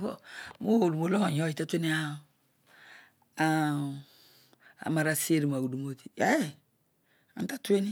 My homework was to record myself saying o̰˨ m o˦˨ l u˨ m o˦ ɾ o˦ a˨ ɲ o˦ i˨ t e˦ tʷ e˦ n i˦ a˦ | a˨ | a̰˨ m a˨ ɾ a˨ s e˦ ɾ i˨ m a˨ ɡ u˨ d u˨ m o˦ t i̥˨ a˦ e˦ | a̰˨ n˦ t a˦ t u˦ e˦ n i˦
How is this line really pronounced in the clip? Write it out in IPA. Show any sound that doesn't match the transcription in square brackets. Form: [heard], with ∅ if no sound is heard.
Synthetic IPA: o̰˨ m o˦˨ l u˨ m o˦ [l] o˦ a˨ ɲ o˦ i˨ t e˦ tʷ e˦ n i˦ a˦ | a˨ | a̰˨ m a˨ ɾ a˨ s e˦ ɾ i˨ m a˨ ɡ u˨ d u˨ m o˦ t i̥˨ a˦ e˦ | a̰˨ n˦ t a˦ t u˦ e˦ n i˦